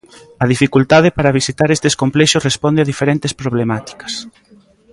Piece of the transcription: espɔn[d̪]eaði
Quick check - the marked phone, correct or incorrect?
correct